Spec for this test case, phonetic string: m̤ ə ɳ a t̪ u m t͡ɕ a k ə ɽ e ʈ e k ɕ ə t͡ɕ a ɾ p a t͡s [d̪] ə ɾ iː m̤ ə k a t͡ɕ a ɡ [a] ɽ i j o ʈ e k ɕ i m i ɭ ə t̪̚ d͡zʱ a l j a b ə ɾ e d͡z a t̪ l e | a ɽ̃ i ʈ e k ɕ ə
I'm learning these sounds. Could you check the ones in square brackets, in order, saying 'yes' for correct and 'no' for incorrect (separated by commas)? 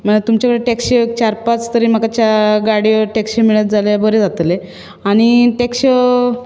no, yes